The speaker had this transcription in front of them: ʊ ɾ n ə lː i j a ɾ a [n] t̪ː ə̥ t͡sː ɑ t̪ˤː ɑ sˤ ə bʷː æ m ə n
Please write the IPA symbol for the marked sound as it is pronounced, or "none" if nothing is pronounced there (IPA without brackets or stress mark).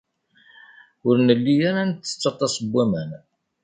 n